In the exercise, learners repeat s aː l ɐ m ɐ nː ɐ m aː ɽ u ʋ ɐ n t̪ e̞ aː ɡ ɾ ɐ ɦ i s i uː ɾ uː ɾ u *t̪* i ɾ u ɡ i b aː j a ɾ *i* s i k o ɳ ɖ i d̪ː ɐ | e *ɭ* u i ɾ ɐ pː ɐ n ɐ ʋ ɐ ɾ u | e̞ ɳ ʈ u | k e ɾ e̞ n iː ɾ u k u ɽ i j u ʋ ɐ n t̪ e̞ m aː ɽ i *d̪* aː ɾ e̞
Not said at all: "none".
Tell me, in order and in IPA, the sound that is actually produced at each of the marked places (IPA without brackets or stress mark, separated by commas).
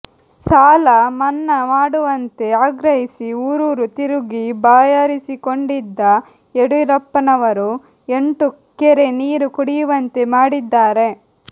t̪, i, ɽ, d̪ː